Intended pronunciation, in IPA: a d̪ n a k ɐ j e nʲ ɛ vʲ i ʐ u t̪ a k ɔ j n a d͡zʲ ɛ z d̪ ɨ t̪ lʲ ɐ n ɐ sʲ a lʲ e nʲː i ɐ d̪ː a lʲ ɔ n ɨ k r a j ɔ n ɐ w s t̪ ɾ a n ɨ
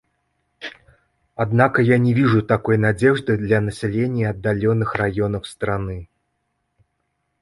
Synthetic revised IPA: a d̪ n a k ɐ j a nʲ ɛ vʲ i ʐ u t̪ a k ɔ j n a d͡zʲ ɛ ʐ d̪ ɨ d̪ lʲ ɐ n ɐ sʲ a lʲ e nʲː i ɐ d̪ː a lʲ ɔ n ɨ x r a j ɔ n ɐ w s t̪ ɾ a n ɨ

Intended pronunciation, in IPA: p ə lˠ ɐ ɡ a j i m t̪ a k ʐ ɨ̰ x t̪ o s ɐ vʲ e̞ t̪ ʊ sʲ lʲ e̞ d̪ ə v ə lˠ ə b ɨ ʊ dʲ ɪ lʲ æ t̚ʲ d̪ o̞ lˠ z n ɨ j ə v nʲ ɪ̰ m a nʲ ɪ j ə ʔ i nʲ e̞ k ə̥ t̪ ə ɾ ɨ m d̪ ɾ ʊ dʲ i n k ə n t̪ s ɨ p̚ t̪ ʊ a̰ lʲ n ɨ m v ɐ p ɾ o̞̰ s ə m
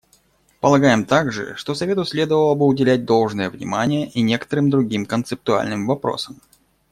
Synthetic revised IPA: p ə lˠ ɐ ɡ a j ɪ m t̪ a ɡ ʐ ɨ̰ ʂ t̪ o s ɐ vʲ e̞ t̪ ʊ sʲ lʲ e̞ d̪ ə v ə lˠ ə b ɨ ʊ dʲ ɪ lʲ æ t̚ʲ d̪ o̞ lˠ ʐ n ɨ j ə v nʲ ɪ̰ m a nʲ ɪ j ə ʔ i nʲ e̞ k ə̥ t̪ ə ɾ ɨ m d̪ ɾ ʊ ɡʲ i m k ə n t̪ s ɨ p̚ t̪ ʊ a̰ lʲ n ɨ m v ɐ p ɾ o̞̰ s ə m

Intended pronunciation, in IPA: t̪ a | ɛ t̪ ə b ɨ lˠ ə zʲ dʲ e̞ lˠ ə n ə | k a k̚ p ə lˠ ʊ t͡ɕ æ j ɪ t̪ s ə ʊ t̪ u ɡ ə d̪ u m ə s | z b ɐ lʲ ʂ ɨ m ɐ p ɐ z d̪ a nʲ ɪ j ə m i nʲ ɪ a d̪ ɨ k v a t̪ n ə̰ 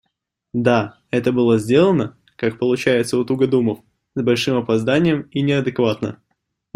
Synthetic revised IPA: d̪ a | ɛ t̪ ə b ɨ lˠ ə zʲ dʲ e̞ lˠ ə n ə | k a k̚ p ə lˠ ʊ t͡ɕ æ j ɪ t̪ s ə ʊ t̪ u ɡ ə d̪ u m ə f | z b ɐ lʲ ʂ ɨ m ɐ p ɐ z d̪ a nʲ ɪ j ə m i nʲ ɪ ɐ d̪ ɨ k v a t̪ n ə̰

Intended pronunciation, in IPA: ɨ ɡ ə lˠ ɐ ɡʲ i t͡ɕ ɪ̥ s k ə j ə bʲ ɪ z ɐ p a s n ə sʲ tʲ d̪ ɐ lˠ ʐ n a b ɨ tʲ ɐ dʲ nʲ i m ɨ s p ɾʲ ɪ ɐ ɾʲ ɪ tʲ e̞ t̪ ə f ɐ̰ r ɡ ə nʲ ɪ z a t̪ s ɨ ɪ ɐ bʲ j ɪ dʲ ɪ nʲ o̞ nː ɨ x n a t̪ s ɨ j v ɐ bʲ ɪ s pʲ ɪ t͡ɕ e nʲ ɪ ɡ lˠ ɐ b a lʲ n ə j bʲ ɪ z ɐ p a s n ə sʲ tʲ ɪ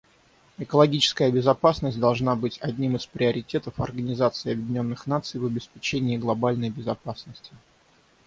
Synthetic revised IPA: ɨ k ə lˠ ɐ ɡʲ i t͡ɕ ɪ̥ s k ə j ə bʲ ɪ z ɐ p a s n ə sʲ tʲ d̪ ɐ lˠ ʐ n a b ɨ tʲ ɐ dʲ nʲ i m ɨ s p ɾʲ ɪ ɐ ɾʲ ɪ tʲ e̞ t̪ ə f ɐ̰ r ɡ ə nʲ ɪ z a t̪ s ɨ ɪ ɐ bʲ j ɪ dʲ ɪ nʲ o̞ nː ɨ x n a t̪ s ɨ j v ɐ bʲ ɪ s pʲ ɪ t͡ɕ e nʲ ɪː ɡ lˠ ɐ b a lʲ n ə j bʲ ɪ z ɐ p a s n ə sʲ tʲ ɪ

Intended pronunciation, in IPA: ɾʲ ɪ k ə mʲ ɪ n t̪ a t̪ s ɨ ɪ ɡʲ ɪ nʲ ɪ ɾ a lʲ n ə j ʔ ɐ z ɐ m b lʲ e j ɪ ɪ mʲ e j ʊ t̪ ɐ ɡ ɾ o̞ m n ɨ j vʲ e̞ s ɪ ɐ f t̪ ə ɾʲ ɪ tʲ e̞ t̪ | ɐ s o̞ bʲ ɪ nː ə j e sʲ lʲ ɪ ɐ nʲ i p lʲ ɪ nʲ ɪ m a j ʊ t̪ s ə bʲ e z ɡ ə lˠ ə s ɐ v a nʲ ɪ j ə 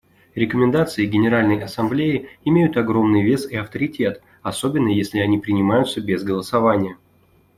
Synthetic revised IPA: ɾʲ ɪ k ə mʲ ɪ n d̪ a t̪ s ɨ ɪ ɡʲ ɪ nʲ ɪ ɾ a lʲ n ə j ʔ ɐ s ɐ m b lʲ e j ɪ ɪ mʲ e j ʊ t̪ ɐ ɡ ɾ o̞ m n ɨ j vʲ e̞ s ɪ ɐ f t̪ ə ɾʲ ɪ tʲ e̞ t̪ | ɐ s o̞ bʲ ɪ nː ə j e sʲ lʲ ɪ ɐ nʲ i p ɾʲ ɪ nʲ ɪ m a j ʊ t̪ s ə bʲ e z ɡ ə lˠ ə s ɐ v a nʲ ɪ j ə

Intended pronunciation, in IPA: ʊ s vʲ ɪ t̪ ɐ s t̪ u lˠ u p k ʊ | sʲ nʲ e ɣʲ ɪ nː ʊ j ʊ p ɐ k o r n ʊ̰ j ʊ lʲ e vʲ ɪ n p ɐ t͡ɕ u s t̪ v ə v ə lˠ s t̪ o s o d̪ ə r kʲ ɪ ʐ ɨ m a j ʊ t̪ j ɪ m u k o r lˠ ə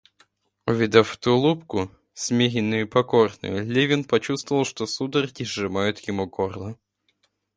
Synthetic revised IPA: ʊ vʲ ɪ d̪ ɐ f t̪ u lˠ u p k ʊ | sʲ mʲ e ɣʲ ɪ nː ʊ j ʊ p ɐ k o r n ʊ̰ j ʊ lʲ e vʲ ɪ n p ɐ t͡ɕ u s t̪ v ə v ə lˠ ʂ t̪ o s u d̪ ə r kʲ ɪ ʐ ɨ m a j ʊ t̪ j ɪ m u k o r lˠ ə

